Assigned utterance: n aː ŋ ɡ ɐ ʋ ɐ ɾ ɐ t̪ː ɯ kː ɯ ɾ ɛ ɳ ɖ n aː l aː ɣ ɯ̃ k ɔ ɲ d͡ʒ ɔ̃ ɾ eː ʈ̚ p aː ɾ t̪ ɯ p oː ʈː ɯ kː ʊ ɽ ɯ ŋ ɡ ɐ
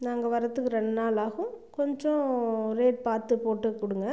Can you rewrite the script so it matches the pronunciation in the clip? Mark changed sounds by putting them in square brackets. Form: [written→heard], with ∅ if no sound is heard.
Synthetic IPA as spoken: n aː ŋ ɡ ɐ ʋ ɐ ɾ ɐ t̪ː ɯ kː ɯ ɾ ɛ ɳ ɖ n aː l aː ɣ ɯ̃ k ɔ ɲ d͡ʒ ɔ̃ ɾ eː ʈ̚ p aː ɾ t̪ ɯ p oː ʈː ɯ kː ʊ ɽ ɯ ŋ ɡ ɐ

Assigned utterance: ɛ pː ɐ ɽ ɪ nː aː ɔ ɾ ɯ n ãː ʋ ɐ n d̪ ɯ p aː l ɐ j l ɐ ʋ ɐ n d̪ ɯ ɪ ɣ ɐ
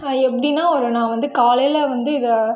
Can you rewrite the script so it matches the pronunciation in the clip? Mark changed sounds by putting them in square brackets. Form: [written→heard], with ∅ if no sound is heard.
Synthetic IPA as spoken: ɛ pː ɐ ɽ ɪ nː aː ɔ ɾ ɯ n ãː ʋ ɐ n d̪ ɯ [p→k] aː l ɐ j l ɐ ʋ ɐ n d̪ ɯ ɪ [ɣ→ð] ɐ

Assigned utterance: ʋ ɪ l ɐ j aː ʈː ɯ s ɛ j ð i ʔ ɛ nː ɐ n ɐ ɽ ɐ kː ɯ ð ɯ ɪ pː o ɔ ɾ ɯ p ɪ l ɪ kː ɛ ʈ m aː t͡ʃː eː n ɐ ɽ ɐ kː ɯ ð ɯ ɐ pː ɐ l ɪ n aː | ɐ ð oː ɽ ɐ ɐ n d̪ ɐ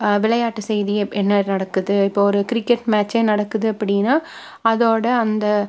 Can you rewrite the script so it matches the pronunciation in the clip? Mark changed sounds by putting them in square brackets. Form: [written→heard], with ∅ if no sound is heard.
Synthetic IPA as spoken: ʋ ɪ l ɐ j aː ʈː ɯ s ɛ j ð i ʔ ɛ nː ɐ n ɐ ɽ ɐ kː ɯ ð ɯ ɪ pː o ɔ ɾ ɯ [p→k] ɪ [l→ɾ] ɪ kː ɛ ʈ m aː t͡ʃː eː n ɐ ɽ ɐ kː ɯ ð ɯ ɐ pː ɐ [l→ɽ] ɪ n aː | ɐ ð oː ɽ ɐ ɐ n d̪ ɐ

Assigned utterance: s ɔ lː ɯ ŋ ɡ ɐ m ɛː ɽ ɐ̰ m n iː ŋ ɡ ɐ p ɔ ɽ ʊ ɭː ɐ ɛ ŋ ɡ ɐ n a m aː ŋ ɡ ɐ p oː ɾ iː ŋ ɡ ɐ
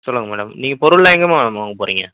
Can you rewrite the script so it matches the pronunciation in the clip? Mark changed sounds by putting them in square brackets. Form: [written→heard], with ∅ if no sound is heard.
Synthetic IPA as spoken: s ɔ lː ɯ ŋ ɡ ɐ m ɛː ɽ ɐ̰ m n iː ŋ ɡ ɐ p ɔ [ɽ→ɾ] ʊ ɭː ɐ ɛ ŋ ɡ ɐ [n→m] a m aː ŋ ɡ ɐ p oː ɾ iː ŋ ɡ ɐ

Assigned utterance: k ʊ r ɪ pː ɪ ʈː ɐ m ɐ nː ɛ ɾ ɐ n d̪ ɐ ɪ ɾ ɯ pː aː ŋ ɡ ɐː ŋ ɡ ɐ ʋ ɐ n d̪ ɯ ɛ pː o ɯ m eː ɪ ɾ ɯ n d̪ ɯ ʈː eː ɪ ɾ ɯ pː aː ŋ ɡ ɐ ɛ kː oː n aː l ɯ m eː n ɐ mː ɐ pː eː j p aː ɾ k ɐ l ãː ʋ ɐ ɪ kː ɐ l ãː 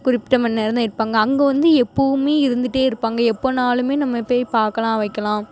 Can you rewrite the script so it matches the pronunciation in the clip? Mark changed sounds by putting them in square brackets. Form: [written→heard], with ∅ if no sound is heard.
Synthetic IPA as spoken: k ʊ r ɪ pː ɪ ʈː ɐ m ɐ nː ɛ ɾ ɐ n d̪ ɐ ɪ ɾ ɯ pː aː ŋ ɡ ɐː ŋ ɡ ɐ ʋ ɐ n d̪ ɯ ɛ pː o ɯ m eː ɪ ɾ ɯ n d̪ ɯ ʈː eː ɪ ɾ ɯ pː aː ŋ ɡ ɐ ɛ [kː→pː] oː n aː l ɯ m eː n ɐ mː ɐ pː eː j p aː ɾ k ɐ l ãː ʋ ɐ ɪ kː ɐ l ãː

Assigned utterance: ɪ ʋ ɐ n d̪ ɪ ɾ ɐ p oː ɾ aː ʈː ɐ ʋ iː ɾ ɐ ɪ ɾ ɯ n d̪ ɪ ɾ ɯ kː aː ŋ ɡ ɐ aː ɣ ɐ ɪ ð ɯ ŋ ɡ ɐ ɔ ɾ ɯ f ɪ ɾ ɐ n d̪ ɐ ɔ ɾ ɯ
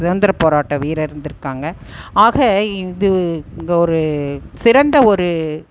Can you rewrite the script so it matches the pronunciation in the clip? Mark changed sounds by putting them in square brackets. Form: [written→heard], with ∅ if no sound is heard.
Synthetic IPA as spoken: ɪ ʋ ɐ n d̪ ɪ ɾ ɐ p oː ɾ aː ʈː ɐ ʋ iː ɾ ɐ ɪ ɾ ɯ n d̪ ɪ ɾ ɯ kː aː ŋ ɡ ɐ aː ɣ ɐ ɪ ð ɯ ŋ ɡ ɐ ɔ ɾ ɯ [f→s] ɪ ɾ ɐ n d̪ ɐ ɔ ɾ ɯ

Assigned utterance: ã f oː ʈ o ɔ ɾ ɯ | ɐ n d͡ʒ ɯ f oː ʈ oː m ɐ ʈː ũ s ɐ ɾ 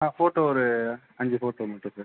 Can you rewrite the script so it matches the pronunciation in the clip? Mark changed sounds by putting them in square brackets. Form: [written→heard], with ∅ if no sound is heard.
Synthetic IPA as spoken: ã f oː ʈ o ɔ ɾ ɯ | ɐ [n→ɲ] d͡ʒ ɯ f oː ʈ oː m ɐ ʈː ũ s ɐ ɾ

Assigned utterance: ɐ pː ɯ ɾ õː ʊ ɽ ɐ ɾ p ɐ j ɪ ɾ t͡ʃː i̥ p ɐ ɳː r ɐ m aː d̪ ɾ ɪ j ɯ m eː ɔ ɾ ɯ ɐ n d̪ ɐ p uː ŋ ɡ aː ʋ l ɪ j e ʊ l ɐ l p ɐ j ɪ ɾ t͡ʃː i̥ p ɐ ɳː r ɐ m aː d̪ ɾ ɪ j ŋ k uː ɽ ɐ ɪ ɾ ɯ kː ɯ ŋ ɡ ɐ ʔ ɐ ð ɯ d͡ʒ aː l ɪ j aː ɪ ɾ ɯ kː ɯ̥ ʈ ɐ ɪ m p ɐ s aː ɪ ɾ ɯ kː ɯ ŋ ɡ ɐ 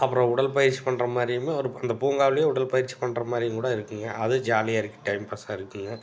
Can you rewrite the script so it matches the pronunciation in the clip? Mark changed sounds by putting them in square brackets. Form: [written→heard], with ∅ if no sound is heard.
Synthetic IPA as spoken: ɐ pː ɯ ɾ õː ʊ ɽ ɐ [ɾ→l] p ɐ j ɪ ɾ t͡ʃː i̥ p ɐ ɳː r ɐ m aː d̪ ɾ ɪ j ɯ m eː ɔ ɾ ɯ ɐ n d̪ ɐ p uː ŋ ɡ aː ʋ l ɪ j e ʊ [l→ɽ] ɐ l p ɐ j ɪ ɾ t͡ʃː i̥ p ɐ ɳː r ɐ m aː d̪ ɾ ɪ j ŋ k uː ɽ ɐ ɪ ɾ ɯ kː ɯ ŋ ɡ ɐ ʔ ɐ ð ɯ d͡ʒ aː l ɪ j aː ɪ ɾ ɯ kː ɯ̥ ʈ ɐ ɪ m p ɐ s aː ɪ ɾ ɯ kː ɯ ŋ ɡ ɐ

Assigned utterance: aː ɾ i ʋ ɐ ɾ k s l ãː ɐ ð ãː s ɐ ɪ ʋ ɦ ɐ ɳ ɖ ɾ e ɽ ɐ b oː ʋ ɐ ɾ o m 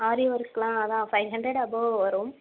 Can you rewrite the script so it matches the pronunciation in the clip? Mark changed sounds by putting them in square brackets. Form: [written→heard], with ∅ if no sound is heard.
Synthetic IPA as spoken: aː ɾ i ʋ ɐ ɾ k s l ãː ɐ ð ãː [s→f] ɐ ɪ ʋ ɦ ɐ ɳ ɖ ɾ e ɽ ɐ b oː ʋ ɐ ɾ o m

